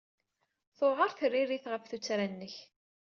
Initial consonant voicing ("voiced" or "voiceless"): voiceless